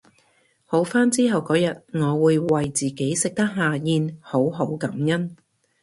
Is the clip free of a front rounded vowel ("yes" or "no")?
yes